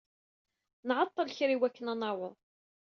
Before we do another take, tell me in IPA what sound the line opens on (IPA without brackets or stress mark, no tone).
n